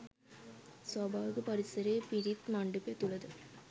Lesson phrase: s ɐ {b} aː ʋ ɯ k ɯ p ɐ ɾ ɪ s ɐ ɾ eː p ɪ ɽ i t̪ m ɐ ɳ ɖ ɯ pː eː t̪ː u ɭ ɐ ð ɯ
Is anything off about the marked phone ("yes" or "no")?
no